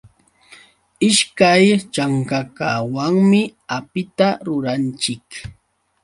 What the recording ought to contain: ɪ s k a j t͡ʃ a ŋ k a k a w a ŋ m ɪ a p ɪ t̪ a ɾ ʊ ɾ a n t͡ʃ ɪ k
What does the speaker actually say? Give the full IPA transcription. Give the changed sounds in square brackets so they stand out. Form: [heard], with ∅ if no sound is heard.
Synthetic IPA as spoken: ɪ [ʃ] k a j t͡ʃ a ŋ k a k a w a ŋ m ɪ a p ɪ t̪ a ɾ ʊ ɾ a n t͡ʃ ɪ k